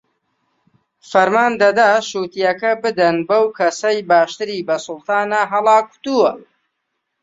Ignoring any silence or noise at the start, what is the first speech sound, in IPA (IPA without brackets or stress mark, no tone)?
f